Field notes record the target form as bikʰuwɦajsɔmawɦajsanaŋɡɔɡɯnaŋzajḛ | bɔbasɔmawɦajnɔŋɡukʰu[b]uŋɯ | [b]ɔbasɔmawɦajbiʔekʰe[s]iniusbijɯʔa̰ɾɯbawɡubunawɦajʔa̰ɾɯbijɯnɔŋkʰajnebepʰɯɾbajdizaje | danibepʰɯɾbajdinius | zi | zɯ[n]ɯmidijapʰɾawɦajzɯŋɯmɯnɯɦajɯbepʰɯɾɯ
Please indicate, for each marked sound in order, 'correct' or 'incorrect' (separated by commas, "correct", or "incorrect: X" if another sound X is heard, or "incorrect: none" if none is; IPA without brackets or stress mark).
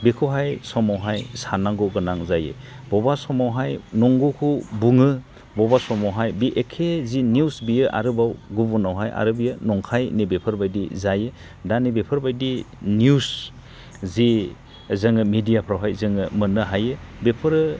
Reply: correct, correct, incorrect: z, incorrect: ŋ